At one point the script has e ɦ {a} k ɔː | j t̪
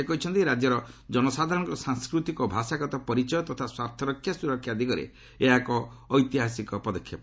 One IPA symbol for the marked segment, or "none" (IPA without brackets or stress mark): a